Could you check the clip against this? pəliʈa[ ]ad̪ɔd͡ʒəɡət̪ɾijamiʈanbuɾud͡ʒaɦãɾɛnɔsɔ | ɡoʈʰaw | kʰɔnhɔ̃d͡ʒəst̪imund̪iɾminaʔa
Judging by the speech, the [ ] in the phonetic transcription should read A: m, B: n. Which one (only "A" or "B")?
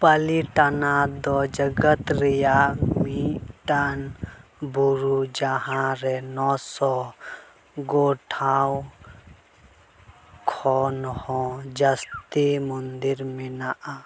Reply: B